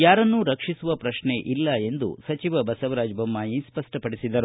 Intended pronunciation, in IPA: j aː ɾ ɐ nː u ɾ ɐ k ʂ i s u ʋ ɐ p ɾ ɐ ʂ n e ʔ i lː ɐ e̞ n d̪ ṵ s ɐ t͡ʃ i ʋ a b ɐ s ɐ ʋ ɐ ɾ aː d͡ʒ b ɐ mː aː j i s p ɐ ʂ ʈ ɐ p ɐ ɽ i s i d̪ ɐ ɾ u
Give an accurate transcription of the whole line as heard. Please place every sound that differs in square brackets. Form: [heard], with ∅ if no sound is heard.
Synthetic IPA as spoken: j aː ɾ ɐ nː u ɾ ɐ k ʂ i s u ʋ ɐ p ɾ ɐ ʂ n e ʔ i lː ɐ e̞ n d̪ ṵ s ɐ t͡ʃ i ʋ [ɐ] b ɐ s ɐ ʋ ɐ ɾ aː d͡ʒ b ɐ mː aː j i s p ɐ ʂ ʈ ɐ p ɐ ɽ i s i d̪ ɐ ɾ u